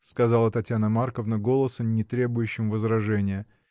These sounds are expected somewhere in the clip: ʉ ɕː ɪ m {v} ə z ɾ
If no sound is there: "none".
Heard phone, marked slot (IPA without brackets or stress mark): v